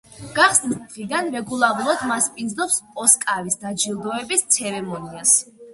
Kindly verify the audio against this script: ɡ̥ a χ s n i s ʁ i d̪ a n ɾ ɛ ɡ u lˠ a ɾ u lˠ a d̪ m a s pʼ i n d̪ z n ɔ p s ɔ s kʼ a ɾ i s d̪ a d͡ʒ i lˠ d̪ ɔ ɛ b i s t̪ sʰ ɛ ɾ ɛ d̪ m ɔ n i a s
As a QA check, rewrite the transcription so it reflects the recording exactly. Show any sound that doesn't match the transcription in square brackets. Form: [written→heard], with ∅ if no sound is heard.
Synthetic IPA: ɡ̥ a χ s n i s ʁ i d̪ a n ɾ ɛ ɡ u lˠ a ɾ u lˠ a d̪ m a s pʼ i n d̪ z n ɔ p s ɔ s kʼ a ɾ i s d̪ a d͡ʒ i lˠ d̪ ɔ ɛ b i s t̪ sʰ ɛ ɾ ɛ [d̪→∅] m ɔ n i a s